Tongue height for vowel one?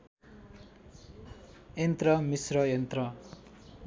mid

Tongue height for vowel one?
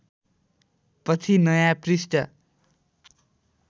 mid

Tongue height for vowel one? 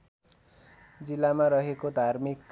high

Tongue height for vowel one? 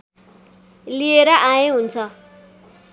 high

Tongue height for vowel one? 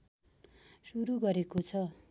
high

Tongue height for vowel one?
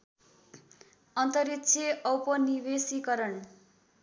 mid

